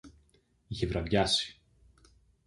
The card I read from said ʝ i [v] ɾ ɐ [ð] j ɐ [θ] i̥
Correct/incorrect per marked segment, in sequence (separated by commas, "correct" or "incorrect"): correct, incorrect, incorrect